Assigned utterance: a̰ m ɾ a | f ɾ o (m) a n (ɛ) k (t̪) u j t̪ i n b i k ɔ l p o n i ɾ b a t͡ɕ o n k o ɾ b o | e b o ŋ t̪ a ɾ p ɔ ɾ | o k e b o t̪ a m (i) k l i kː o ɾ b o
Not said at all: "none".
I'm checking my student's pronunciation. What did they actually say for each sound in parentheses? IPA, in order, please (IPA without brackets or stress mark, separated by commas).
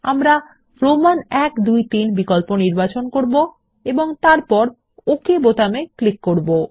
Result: m, ɛ, d̪, e